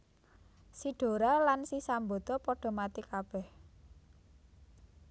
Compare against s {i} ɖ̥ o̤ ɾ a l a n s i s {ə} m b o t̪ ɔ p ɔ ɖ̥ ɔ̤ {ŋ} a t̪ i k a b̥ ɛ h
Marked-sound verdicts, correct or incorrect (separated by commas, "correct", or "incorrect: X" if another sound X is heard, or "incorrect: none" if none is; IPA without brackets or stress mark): correct, incorrect: a, incorrect: m